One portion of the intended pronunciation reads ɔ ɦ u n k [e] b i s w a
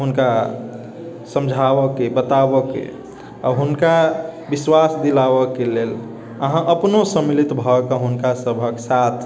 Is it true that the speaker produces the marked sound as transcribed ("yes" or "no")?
no